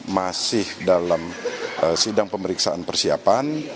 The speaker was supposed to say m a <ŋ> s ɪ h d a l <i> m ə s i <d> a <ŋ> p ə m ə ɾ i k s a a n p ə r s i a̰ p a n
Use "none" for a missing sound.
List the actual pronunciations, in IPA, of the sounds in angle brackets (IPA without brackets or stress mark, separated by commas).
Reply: none, a, d, ŋ